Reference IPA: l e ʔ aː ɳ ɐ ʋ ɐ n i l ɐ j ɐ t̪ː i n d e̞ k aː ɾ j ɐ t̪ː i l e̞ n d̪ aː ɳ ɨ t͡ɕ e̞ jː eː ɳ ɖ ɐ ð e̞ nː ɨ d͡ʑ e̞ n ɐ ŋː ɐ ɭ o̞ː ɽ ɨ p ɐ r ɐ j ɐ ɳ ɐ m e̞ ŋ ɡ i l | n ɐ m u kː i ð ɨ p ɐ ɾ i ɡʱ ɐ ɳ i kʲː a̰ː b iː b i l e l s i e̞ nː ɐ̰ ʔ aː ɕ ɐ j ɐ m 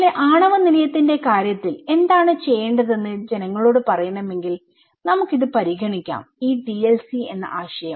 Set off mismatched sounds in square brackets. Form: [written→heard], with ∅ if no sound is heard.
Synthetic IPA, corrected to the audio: l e ʔ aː ɳ ɐ ʋ ɐ n i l ɐ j ɐ t̪ː i n d e̞ k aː ɾ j ɐ t̪ː i l e̞ n d̪ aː ɳ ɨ t͡ɕ e̞ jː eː ɳ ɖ ɐ ð e̞ nː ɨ d͡ʑ e̞ n ɐ ŋː ɐ ɭ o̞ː ɽ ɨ p ɐ r ɐ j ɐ ɳ ɐ m e̞ ŋ ɡ i l | n ɐ m u kː i ð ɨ p ɐ ɾ i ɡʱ ɐ ɳ i kʲː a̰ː [b→m] iː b i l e l s i e̞ nː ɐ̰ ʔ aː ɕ ɐ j ɐ m

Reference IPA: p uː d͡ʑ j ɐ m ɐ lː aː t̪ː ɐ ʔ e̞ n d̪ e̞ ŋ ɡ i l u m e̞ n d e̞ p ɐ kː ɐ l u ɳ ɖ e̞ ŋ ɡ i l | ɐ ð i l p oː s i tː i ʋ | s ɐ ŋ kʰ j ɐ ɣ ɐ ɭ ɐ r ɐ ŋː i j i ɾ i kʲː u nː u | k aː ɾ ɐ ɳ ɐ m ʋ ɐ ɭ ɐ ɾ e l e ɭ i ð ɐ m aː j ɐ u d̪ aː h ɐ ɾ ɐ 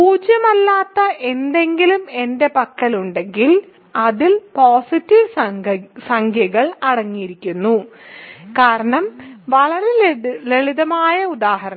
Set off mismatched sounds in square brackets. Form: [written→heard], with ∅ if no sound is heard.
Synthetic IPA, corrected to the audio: p uː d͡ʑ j ɐ m ɐ lː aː t̪ː ɐ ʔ e̞ n d̪ e̞ ŋ ɡ i l u m e̞ n d e̞ p ɐ kː ɐ l u ɳ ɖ e̞ ŋ ɡ i l | ɐ ð i l p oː s i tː i ʋ | s ɐ ŋ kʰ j ɐ ɣ ɐ ɭ ɐ [r→ɽ] ɐ ŋː i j i ɾ i kʲː u nː u | k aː ɾ ɐ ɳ ɐ m ʋ ɐ ɭ ɐ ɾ e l e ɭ i ð ɐ m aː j ɐ u d̪ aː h ɐ ɾ ɐ

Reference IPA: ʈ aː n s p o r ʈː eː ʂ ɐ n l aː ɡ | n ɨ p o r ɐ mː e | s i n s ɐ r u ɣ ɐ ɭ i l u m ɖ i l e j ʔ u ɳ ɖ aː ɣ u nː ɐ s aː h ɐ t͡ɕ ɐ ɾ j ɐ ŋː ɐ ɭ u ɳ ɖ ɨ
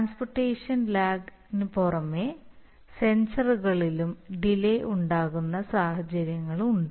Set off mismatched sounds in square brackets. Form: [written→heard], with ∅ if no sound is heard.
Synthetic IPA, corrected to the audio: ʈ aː n s p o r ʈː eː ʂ ɐ n l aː ɡ | n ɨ p o r ɐ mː e | s [i→e] n s ɐ r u ɣ ɐ ɭ i l u m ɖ i l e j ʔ u ɳ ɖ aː ɣ u nː ɐ s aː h ɐ t͡ɕ ɐ ɾ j ɐ ŋː ɐ ɭ u ɳ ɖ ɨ

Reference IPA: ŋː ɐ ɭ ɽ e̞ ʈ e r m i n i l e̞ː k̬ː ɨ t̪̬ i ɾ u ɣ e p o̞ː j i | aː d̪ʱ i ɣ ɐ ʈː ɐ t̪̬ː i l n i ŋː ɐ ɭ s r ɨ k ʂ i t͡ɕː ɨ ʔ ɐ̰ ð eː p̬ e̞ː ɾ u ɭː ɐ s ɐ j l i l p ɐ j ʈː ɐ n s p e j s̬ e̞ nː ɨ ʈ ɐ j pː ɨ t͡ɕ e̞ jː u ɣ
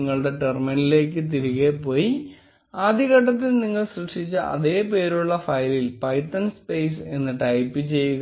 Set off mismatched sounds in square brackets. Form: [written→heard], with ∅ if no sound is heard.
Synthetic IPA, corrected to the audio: ŋː ɐ ɭ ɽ e̞ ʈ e r m i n i l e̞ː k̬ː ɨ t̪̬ i ɾ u ɣ e p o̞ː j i | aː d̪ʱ i ɣ ɐ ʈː ɐ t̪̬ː i l n i ŋː ɐ ɭ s r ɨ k ʂ i t͡ɕː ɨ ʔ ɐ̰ ð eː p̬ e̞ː ɾ u ɭː ɐ [s→f] ɐ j l i l p ɐ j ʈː ɐ n s p e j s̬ e̞ nː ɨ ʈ ɐ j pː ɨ t͡ɕ e̞ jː u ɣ

